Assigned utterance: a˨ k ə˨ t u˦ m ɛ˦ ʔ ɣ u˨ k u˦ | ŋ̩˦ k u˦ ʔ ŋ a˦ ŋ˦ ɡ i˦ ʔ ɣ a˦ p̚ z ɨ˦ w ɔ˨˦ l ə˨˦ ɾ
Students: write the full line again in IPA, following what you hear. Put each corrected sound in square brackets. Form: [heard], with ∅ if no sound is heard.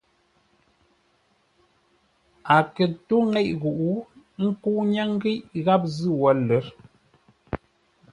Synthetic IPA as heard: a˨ k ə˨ t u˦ [ŋ] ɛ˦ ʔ ɣ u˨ [ʔ] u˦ | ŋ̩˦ k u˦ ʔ [ɲ] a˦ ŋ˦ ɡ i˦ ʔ ɣ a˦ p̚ z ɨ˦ w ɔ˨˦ l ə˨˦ ɾ